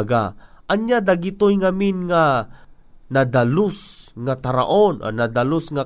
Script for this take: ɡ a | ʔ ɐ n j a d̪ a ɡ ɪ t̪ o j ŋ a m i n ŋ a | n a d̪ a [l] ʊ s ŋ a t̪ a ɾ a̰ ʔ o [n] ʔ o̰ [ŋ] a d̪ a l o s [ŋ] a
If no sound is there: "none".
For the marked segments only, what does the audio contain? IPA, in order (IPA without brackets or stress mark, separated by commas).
l, n, n, ŋ